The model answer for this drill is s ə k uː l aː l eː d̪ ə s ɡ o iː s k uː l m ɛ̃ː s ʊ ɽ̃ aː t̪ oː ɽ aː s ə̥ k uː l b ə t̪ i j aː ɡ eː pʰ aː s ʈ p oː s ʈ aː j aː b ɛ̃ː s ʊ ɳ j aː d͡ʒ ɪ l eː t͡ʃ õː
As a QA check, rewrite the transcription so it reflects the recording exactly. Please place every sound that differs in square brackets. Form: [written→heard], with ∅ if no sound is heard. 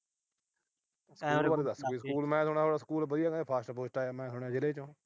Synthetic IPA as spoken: s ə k uː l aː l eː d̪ ə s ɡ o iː s k uː l m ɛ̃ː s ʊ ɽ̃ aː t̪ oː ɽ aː s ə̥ k uː l b ə [t̪→d̪] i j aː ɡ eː pʰ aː s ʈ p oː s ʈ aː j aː [b→m] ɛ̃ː s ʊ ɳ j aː d͡ʒ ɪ l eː t͡ʃ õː